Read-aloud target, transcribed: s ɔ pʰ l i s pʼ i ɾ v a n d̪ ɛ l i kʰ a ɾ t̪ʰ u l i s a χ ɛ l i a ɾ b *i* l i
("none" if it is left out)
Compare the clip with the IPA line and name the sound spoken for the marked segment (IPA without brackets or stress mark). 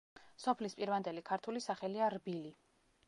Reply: i